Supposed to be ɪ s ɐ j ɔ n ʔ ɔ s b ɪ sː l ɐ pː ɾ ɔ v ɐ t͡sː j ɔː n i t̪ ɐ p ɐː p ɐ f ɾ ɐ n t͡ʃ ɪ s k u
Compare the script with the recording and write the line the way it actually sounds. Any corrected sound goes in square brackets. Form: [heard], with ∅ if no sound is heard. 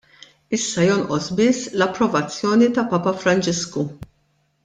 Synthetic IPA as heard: ɪ [sː] ɐ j ɔ n ʔ ɔ s b ɪ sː l ɐ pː ɾ ɔ v ɐ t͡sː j ɔː n i t̪ ɐ p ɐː p ɐ f ɾ ɐ n t͡ʃ ɪ s k u